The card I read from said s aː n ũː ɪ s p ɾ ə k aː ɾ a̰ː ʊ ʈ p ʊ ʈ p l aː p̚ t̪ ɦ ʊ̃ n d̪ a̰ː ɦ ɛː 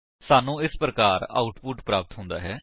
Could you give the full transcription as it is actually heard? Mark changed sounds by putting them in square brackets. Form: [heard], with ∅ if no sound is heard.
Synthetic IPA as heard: s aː n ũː ɪ s p ɾ ə k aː ɾ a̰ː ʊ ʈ p ʊ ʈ p [ɾ] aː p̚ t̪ ɦ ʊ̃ n d̪ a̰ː ɦ ɛː